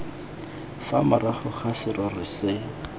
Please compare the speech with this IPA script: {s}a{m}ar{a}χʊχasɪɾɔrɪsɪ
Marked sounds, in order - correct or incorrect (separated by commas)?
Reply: incorrect, correct, correct